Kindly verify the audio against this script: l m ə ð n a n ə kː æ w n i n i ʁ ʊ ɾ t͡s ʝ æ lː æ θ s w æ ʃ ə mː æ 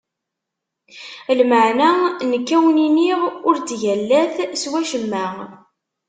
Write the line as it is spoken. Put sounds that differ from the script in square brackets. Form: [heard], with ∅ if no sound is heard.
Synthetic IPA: l m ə [ʕ] n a n ə kː æ w n i n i ʁ ʊ ɾ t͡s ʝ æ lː æ θ s w æ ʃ ə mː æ